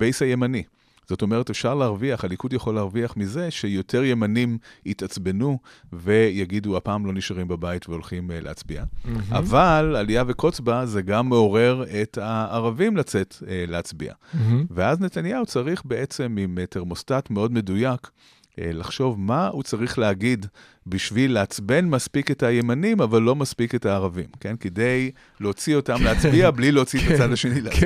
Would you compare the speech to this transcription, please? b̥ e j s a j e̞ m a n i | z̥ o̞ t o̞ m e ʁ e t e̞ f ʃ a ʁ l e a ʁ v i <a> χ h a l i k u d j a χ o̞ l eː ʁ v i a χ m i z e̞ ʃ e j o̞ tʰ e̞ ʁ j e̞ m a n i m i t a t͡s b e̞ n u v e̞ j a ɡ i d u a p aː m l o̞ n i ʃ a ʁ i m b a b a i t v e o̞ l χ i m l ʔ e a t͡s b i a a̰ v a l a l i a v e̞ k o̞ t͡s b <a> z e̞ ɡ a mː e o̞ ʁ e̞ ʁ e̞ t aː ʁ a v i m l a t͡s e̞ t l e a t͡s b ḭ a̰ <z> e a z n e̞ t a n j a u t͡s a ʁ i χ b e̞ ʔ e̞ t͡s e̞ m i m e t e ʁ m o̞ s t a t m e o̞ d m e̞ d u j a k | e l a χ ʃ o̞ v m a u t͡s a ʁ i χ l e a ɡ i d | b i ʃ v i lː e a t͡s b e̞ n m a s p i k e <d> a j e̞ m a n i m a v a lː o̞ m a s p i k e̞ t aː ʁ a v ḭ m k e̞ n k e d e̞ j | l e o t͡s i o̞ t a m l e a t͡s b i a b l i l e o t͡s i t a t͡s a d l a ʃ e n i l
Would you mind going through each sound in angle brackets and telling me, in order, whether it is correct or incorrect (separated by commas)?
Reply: correct, correct, incorrect, incorrect